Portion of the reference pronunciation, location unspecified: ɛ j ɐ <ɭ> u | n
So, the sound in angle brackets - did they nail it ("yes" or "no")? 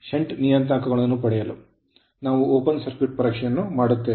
no